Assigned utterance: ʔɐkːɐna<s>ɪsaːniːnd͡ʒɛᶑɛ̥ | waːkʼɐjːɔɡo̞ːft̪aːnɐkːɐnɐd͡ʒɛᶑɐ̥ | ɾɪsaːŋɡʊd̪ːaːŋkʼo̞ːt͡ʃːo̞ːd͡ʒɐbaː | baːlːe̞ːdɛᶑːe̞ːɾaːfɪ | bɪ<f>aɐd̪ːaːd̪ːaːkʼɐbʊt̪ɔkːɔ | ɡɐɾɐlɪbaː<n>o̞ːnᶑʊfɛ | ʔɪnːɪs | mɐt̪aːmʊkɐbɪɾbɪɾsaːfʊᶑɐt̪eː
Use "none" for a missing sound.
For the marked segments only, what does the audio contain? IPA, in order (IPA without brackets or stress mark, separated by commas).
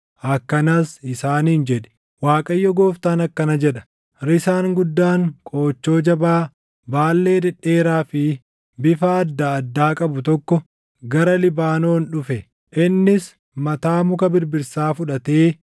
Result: s, f, n